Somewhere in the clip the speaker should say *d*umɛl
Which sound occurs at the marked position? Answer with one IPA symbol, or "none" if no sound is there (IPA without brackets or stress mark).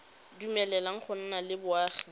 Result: d